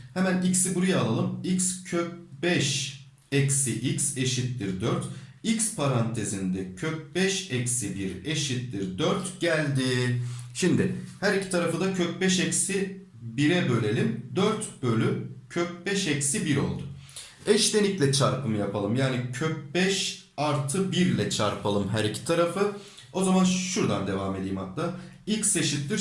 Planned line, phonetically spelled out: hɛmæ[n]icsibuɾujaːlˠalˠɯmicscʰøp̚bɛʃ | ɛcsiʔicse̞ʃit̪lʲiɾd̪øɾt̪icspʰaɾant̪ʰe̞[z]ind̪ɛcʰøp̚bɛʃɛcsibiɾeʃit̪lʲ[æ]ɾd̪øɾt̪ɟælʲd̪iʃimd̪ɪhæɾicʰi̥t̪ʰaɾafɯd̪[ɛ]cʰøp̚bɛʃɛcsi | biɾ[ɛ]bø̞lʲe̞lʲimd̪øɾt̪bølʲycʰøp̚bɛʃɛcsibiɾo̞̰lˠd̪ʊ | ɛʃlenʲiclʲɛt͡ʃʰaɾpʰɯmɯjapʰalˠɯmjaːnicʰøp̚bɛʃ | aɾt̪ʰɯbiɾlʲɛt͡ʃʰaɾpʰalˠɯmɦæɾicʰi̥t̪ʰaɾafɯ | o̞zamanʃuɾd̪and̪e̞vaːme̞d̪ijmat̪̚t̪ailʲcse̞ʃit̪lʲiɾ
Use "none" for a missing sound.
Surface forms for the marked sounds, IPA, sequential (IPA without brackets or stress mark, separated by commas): n, z, i, a, ɛ